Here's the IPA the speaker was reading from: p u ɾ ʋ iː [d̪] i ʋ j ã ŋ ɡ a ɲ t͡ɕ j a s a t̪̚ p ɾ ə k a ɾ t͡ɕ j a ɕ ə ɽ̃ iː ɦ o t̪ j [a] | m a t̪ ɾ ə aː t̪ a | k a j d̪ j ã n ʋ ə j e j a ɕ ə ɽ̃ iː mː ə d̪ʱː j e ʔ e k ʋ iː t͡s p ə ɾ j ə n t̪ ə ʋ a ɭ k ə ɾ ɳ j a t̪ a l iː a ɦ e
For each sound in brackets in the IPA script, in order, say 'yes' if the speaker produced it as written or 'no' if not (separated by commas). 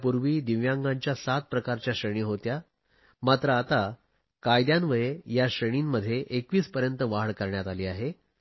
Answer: yes, yes